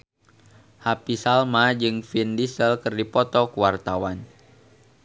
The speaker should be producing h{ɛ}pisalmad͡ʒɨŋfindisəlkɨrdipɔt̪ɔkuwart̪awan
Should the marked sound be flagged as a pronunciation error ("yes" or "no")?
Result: yes